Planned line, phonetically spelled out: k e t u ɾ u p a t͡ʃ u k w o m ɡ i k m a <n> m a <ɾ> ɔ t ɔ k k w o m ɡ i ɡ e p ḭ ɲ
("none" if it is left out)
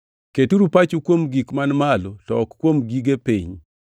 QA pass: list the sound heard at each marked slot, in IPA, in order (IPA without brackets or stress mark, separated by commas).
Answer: n, l